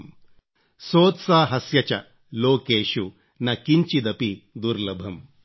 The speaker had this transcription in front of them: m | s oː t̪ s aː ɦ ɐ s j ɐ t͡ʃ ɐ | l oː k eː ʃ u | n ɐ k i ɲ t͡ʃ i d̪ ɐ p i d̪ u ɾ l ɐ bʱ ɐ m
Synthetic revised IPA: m | s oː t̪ s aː ɦ ɐ s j ɐ t͡ʃ ɐ | l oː k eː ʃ u | n ɐ k i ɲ t͡ʃ i d̪ ɐ p i d̪ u ɾ l ɐ bʱ ɐ m

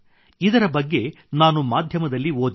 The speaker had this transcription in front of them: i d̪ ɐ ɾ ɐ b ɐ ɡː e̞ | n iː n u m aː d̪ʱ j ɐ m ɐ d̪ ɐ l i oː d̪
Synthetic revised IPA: i d̪ ɐ ɾ ɐ b ɐ ɡː e̞ | n aː n u m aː d̪ʱ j ɐ m ɐ d̪ ɐ lː i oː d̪

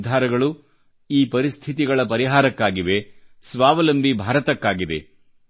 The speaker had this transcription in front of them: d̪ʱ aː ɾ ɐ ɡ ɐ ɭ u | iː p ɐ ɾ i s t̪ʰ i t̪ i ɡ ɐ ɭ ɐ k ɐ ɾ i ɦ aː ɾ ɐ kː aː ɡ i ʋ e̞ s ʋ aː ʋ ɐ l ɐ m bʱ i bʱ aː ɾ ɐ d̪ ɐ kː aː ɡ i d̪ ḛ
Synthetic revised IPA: d̪ʱ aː ɾ ɐ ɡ ɐ ɭ u | iː p ɐ ɾ i s t̪ʰ i t̪ i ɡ ɐ ɭ ɐ p ɐ ɾ i ɦ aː ɾ ɐ kː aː ɡ i ʋ e̞ s ʋ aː ʋ ɐ l ɐ m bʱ i bʱ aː ɾ ɐ t̪ ɐ kː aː ɡ i d̪ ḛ

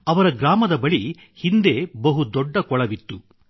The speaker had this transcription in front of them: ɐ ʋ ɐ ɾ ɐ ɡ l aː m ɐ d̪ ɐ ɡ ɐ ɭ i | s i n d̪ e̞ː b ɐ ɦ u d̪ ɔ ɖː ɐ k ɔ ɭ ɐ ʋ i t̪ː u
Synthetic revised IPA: ɐ ʋ ɐ ɾ ɐ ɡ ɾ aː m ɐ d̪ ɐ b ɐ ɭ i | h i n d̪ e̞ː b ɐ ɦ u d̪ ɔ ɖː ɐ k ɔ ɭ ɐ ʋ i t̪ː u

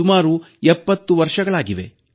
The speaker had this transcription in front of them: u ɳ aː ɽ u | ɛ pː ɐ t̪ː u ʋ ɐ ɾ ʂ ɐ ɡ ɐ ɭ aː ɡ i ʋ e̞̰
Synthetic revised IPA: u m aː ɾ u | ɛ pː ɐ t̪ː u ʋ ɐ ɾ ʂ ɐ ɡ ɐ ɭ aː ɡ i ʋ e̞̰

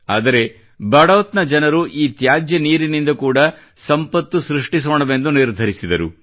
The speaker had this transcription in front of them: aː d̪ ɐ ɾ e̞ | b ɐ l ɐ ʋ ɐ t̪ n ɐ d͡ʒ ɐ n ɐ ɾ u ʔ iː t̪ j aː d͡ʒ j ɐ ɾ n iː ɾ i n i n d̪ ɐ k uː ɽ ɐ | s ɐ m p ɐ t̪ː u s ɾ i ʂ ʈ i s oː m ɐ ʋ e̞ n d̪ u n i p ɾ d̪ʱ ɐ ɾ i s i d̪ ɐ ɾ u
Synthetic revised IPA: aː d̪ ɐ ɾ e̞ | b ɐ ɽ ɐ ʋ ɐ t̪ n ɐ d͡ʒ ɐ n ɐ ɾ u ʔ iː t̪ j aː d͡ʒ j ɐ n iː ɾ i n i n d̪ ɐ k uː ɽ ɐ | s ɐ m p ɐ t̪ː u s ɾ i ʂ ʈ i s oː ɳ ɐ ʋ e̞ n d̪ u n i ɾ d̪ʱ ɐ ɾ i s i d̪ ɐ ɾ u

